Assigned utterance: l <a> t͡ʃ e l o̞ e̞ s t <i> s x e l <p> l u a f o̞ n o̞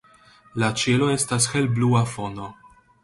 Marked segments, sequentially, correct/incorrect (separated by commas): correct, incorrect, incorrect